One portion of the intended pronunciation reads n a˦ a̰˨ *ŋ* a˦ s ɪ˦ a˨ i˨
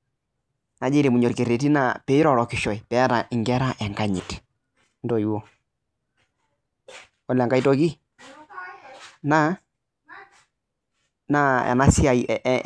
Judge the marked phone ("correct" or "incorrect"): incorrect